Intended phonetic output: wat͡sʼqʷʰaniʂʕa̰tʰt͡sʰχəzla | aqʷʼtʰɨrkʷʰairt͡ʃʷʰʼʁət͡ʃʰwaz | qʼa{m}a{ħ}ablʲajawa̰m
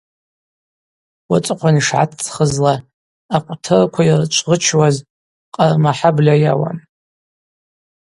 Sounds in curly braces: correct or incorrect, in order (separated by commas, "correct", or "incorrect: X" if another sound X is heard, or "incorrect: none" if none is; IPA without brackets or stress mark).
correct, correct